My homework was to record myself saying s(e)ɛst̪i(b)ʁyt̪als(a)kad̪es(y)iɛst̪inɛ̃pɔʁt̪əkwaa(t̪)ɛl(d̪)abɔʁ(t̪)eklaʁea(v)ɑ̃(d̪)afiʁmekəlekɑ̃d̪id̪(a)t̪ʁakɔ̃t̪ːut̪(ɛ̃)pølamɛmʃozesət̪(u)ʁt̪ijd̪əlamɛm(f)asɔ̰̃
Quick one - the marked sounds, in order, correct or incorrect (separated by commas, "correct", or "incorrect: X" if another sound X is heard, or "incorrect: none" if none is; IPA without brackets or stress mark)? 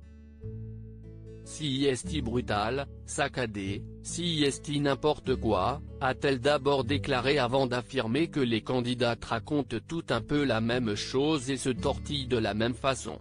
incorrect: i, correct, correct, incorrect: i, correct, correct, incorrect: d̪, correct, correct, correct, correct, incorrect: ɔ, correct